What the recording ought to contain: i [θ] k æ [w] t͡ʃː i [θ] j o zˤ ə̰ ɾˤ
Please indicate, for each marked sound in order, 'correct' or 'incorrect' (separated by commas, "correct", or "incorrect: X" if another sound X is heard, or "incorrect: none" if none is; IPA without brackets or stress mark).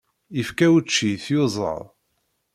incorrect: f, correct, correct